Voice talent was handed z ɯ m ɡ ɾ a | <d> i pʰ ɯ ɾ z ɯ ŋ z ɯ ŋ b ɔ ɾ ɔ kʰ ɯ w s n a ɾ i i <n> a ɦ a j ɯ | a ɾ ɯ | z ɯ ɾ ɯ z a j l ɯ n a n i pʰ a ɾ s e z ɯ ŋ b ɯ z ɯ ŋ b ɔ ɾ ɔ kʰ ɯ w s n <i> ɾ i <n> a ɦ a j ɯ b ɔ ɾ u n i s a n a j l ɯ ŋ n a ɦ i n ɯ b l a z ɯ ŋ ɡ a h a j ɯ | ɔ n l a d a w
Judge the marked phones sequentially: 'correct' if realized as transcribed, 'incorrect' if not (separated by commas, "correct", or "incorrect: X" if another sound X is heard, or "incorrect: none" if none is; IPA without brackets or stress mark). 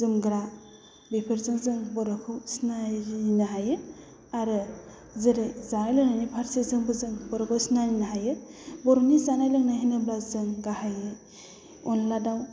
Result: incorrect: b, correct, incorrect: a, correct